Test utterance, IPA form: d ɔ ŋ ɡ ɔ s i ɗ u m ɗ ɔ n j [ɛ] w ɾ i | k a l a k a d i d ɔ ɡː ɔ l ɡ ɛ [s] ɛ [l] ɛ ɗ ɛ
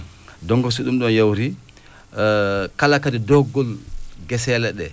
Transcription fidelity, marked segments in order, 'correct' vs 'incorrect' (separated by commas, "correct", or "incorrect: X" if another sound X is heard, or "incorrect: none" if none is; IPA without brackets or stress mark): incorrect: a, correct, correct